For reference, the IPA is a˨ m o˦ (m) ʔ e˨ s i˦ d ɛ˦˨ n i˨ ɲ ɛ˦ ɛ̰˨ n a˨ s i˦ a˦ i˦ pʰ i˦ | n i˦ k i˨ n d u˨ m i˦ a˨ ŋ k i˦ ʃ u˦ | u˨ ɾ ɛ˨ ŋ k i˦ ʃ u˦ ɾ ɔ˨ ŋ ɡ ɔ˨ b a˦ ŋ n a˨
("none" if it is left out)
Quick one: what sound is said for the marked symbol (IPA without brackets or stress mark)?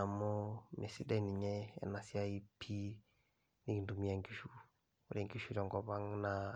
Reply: m